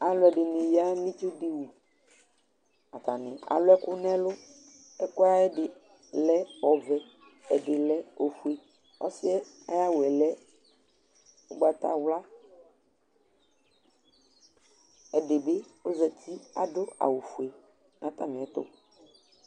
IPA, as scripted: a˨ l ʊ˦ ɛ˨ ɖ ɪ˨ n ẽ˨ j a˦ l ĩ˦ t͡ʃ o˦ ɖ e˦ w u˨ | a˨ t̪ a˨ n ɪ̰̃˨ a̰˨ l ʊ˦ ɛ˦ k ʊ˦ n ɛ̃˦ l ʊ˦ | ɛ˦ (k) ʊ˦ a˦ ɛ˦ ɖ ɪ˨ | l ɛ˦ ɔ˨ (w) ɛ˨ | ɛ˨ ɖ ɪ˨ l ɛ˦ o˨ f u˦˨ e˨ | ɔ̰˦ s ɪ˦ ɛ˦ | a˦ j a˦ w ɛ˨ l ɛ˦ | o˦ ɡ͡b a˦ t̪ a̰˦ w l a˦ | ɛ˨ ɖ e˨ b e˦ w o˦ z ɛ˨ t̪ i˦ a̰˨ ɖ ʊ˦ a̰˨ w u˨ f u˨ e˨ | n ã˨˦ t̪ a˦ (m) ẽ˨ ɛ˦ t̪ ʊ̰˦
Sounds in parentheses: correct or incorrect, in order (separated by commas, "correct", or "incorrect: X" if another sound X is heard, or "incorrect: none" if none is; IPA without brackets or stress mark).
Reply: correct, incorrect: v, correct